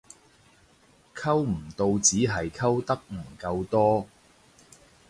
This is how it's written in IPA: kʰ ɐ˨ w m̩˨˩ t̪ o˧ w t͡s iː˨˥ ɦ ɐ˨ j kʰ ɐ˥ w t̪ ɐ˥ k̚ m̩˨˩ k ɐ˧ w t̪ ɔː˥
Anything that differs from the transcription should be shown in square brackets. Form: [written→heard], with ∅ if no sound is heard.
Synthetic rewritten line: kʰ [ɐ˨→ɐ˥] w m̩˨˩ t̪ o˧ w t͡s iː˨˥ ɦ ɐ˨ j kʰ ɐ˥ w t̪ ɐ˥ k̚ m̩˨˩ k ɐ˧ w t̪ ɔː˥